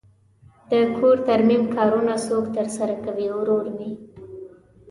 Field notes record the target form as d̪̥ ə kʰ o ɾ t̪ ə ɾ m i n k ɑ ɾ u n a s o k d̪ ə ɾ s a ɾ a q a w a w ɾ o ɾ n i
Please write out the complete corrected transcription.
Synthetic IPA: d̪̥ ə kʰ o ɾ t̪ a ɾ m i m k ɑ ɾ u n a s o k t̪ ə ɾ s a ɾ a k a w i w ɾ o ɾ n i

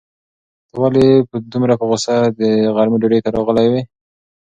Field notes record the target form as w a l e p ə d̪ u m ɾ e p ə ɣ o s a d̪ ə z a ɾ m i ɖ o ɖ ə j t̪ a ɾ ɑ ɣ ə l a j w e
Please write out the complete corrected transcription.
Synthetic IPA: w a l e p ə d̪ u m ɾ a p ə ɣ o s a d̪ ə ɣ a ɾ m i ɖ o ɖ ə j t̪ a ɾ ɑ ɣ ə l a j w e

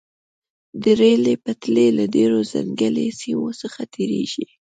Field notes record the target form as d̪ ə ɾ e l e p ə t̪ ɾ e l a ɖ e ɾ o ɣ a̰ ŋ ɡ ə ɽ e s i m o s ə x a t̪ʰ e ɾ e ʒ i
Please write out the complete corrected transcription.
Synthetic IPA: d̪ ə ɾ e l e p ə t̪ l e l a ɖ e ɾ o z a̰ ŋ ɡ ə l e s i m o s ə x a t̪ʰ e ɾ e ʒ i

